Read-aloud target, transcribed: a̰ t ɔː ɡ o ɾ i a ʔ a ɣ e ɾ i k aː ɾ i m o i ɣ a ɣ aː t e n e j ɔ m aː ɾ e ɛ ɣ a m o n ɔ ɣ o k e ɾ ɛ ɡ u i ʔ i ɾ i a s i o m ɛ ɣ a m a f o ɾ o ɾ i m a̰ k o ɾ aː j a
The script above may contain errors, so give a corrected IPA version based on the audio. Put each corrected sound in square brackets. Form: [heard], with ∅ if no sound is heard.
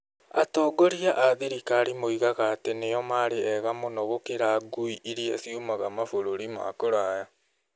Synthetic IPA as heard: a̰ t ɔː ɡ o ɾ i a ʔ a [ð] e ɾ i k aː ɾ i m o i ɣ a ɣ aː t e n e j ɔ m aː ɾ e ɛ ɣ a m o n ɔ ɣ o k e ɾ [a] ɡ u i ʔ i ɾ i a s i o m [a] ɣ a m a f o ɾ o ɾ i m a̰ k o ɾ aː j a

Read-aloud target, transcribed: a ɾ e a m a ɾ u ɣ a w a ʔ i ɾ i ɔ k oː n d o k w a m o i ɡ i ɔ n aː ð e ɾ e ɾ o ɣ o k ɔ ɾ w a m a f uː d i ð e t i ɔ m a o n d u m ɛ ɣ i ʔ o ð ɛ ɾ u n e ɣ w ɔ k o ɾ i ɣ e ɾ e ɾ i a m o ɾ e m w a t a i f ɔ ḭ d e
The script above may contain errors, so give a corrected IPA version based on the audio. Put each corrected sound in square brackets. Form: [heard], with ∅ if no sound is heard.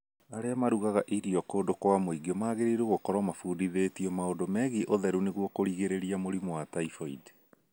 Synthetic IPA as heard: a ɾ e a m a ɾ u ɣ a [ɣ] a ʔ i ɾ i ɔ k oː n d o k w a m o i ɡ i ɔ [m] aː [ɣ] e ɾ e ɾ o ɣ o k ɔ ɾ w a m a f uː d i ð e t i ɔ m a o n d [o] m ɛ ɣ i ʔ o ð ɛ ɾ u n e ɣ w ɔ k o ɾ i ɣ e ɾ e ɾ i a m o ɾ [i] m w a t a i f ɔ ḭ d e

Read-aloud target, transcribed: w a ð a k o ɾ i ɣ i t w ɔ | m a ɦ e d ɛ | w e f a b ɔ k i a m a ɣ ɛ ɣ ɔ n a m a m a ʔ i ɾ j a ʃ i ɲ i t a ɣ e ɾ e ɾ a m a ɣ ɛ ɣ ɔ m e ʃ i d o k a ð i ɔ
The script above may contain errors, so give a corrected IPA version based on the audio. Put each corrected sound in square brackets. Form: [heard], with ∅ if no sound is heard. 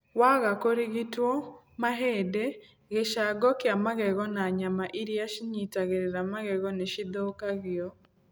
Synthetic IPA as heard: w a [ɣ] a k o ɾ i ɣ i t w ɔ | m a ɦ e d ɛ | [ɣ] e [ʃ] a [ɡ] ɔ k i a m a ɣ ɛ ɣ ɔ n a [ɲ] a m a ʔ i ɾ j a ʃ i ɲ i t a ɣ e ɾ e ɾ a m a ɣ ɛ ɣ ɔ [n] e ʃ i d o k a [ɣ] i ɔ

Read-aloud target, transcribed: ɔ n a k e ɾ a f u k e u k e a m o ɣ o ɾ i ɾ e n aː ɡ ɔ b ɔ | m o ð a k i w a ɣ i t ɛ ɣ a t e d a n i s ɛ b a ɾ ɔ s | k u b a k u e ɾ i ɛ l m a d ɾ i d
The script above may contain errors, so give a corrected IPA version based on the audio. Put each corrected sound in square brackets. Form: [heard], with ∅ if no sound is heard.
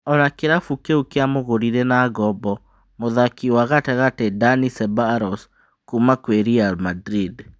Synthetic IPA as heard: ɔ n a k e ɾ a f u k e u k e a m o ɣ o ɾ i ɾ e n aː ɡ ɔ b ɔ | m o ð a k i w a ɣ [a] t ɛ ɣ a t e d a n i s ɛ b a ɾ ɔ s | k u [m] a k [w] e ɾ i [a] l m a d ɾ i d

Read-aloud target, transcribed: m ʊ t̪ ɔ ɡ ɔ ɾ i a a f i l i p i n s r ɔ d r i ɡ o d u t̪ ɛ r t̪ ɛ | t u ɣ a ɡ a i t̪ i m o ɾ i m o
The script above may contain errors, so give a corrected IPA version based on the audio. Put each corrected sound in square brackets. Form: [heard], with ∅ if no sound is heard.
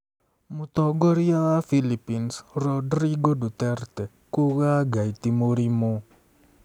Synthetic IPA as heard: m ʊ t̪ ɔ ɡ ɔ ɾ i a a f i l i p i n s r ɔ d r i ɡ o d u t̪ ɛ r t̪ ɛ | [k] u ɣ a ɡ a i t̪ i m o ɾ i m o

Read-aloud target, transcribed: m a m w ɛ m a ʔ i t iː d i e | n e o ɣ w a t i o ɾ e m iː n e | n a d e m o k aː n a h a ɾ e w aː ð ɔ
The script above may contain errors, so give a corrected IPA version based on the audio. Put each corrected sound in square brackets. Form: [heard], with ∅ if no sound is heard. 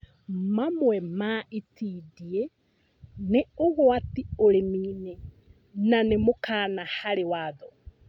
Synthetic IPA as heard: m a m w ɛ m a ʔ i t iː d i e | n e o ɣ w a t i o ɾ e m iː n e | n a [n] e m o k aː n a h a ɾ e w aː ð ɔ

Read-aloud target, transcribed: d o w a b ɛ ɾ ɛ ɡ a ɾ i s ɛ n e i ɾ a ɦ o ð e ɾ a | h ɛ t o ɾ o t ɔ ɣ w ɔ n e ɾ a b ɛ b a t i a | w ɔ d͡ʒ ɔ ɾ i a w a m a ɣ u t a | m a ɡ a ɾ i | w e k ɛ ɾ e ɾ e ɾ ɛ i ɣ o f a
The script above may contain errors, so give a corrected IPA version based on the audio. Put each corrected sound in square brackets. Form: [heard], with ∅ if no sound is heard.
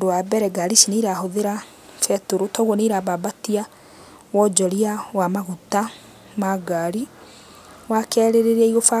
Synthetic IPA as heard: d o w a b ɛ ɾ ɛ ɡ a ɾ i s [i] n e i ɾ a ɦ o ð e ɾ a | [f] ɛ t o ɾ o t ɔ ɣ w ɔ n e ɾ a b [a] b a t i a | w ɔ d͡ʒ ɔ ɾ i a w a m a ɣ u t a | m a ɡ a ɾ i | w [a] k ɛ ɾ e ɾ e ɾ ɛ i ɣ o f a

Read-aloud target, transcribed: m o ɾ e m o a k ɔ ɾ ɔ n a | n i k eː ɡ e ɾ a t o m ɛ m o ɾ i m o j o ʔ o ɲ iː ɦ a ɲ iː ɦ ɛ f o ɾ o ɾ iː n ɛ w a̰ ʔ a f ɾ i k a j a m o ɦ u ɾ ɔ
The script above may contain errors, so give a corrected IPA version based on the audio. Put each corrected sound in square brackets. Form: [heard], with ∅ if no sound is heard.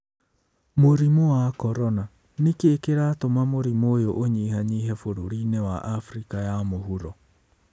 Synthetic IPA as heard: m o ɾ [i] m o a k ɔ ɾ ɔ n a | n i k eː [k] e ɾ a t o m [a] m o ɾ i m o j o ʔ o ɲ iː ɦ a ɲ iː ɦ ɛ f o ɾ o ɾ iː n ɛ w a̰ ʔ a f ɾ i k a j a m o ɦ u ɾ ɔ

